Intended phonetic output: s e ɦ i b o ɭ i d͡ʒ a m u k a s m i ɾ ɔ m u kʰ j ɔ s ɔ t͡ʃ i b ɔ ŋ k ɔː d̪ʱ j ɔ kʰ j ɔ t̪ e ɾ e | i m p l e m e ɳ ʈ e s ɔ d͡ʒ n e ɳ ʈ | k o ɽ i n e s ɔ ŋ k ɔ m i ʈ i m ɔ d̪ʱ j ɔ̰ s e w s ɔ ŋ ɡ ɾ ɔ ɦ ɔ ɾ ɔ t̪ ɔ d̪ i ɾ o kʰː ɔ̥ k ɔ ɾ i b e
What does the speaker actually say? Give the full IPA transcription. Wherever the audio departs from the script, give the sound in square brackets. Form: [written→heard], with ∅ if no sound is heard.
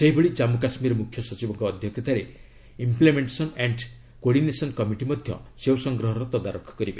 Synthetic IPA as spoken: s e ɦ i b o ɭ i d͡ʒ a m u k a s m i ɾ ɔ m u kʰ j ɔ s ɔ t͡ʃ i b ɔ ŋ k ɔː d̪ʱ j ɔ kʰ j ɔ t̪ [e→a] ɾ e | i m p l e m e ɳ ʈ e s ɔ [d͡ʒ→∅] n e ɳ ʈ | k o ɽ i n e s ɔ [ŋ→n] k ɔ m i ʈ i m ɔ d̪ʱ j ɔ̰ s e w s ɔ ŋ ɡ ɾ ɔ ɦ ɔ ɾ ɔ t̪ ɔ d̪ [i→a] ɾ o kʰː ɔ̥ k ɔ ɾ i b e

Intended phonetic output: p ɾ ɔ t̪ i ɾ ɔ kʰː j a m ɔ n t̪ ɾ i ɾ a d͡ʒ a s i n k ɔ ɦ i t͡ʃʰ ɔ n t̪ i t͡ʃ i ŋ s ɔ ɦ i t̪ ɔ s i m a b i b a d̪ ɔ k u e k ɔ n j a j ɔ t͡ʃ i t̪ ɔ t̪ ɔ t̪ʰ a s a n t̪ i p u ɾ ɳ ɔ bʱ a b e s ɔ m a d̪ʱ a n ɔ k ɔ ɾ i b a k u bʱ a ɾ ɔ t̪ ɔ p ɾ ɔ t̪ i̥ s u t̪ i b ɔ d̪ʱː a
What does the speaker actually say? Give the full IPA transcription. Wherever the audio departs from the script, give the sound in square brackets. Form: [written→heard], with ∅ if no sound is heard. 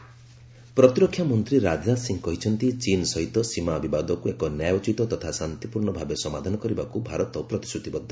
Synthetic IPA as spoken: p ɾ ɔ t̪ i ɾ ɔ kʰː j a m ɔ n t̪ ɾ i ɾ a d͡ʒ a s i [n→ŋ] k ɔ ɦ i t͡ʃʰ ɔ n t̪ i t͡ʃ i [ŋ→n] s ɔ ɦ i t̪ ɔ s i m a b i b a d̪ ɔ k u e k ɔ n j a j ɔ t͡ʃ i t̪ ɔ t̪ ɔ t̪ʰ a s a n t̪ i p u ɾ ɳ ɔ bʱ a b e s ɔ m a d̪ʱ a n ɔ k ɔ ɾ i b a k u bʱ a ɾ ɔ t̪ ɔ p ɾ ɔ t̪ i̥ s u t̪ i b ɔ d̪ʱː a

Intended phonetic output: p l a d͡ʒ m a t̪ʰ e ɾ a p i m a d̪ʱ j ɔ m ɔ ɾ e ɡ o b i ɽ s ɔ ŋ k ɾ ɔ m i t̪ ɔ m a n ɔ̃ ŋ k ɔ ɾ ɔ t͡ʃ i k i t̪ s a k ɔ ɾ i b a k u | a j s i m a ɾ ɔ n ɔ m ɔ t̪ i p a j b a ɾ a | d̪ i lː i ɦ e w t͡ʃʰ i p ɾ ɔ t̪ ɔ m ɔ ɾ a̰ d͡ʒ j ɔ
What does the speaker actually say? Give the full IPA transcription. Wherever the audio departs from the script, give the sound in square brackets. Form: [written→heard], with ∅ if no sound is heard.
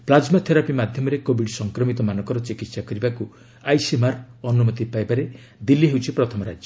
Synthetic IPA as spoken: p l a d͡ʒ m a t̪ʰ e ɾ a p i m a d̪ʱ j ɔ m ɔ ɾ e [ɡ→k] o b i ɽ s ɔ ŋ k ɾ ɔ m i t̪ ɔ m a n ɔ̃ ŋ k ɔ ɾ ɔ t͡ʃ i k i t̪ s a k ɔ ɾ i b a k u | a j s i m a ɾ ɔ n [ɔ→u] m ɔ t̪ i p a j b a ɾ [a→e] | d̪ i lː i ɦ e w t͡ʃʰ i p ɾ ɔ [t̪→t̪ʰ] ɔ m ɔ ɾ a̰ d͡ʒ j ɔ

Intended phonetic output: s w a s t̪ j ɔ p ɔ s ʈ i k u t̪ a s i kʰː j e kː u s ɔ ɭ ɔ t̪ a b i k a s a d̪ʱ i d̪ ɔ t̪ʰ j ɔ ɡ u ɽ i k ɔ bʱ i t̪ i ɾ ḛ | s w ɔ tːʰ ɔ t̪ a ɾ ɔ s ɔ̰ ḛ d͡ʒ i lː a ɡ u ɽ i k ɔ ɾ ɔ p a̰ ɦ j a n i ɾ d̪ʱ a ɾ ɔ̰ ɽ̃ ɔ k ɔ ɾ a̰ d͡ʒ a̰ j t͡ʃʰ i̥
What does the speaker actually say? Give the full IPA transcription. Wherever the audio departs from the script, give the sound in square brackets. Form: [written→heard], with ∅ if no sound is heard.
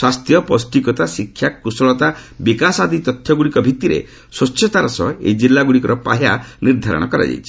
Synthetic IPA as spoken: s w a s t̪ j ɔ p ɔ s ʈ i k [u→ɔ] t̪ a s i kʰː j [e→a] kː u s ɔ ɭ ɔ t̪ a b i k a s a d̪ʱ i [d̪→t̪] ɔ t̪ʰ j ɔ ɡ u ɽ i k ɔ bʱ i t̪ i ɾ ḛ | s w ɔ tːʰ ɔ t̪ a ɾ ɔ s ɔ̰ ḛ d͡ʒ i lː a ɡ u ɽ i k ɔ ɾ ɔ p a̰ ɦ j a n i ɾ d̪ʱ a ɾ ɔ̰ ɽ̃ ɔ k ɔ ɾ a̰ d͡ʒ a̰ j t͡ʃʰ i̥

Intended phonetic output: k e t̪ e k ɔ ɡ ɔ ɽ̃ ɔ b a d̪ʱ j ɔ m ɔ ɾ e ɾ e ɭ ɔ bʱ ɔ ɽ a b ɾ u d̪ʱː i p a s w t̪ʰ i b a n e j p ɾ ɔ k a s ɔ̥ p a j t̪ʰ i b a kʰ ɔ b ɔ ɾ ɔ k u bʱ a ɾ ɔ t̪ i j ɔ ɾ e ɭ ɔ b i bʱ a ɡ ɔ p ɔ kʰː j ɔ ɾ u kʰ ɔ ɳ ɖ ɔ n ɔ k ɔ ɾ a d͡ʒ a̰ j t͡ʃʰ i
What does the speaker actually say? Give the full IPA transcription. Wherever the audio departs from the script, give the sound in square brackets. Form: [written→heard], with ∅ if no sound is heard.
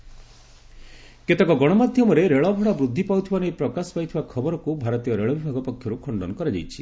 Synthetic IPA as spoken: k e t̪ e k ɔ ɡ ɔ ɽ̃ ɔ [b→m] a d̪ʱ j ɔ m ɔ ɾ e ɾ e ɭ ɔ bʱ ɔ ɽ a b ɾ u d̪ʱː i p a [s→∅] w t̪ʰ i b a n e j p ɾ ɔ k a s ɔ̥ p a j t̪ʰ i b a kʰ ɔ b ɔ ɾ ɔ k u bʱ a ɾ ɔ t̪ i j ɔ ɾ e ɭ ɔ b i bʱ a ɡ ɔ p ɔ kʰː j ɔ ɾ u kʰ ɔ ɳ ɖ ɔ n ɔ k ɔ ɾ a d͡ʒ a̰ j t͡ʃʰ i

